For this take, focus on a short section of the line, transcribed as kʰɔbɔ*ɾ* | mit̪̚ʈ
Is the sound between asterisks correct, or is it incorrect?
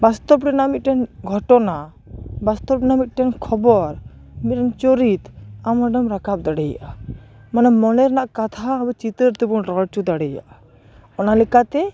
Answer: correct